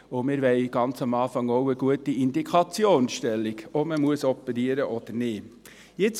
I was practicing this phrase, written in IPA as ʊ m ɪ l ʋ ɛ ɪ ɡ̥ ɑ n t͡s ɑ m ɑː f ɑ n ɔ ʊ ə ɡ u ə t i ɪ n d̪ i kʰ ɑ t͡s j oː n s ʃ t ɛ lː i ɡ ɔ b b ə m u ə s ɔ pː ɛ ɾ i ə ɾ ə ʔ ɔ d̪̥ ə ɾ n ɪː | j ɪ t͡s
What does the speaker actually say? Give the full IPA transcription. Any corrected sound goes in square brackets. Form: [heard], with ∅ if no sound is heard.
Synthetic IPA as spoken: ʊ m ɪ [ɾ] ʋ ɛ ɪ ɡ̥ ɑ n t͡s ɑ m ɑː f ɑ [ŋ] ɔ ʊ ə ɡ u ə t i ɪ n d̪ i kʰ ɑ t͡s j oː n s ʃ t ɛ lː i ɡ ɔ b [m] ə m u ə s ɔ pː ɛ ɾ i ə ɾ ə ʔ ɔ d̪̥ ə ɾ n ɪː | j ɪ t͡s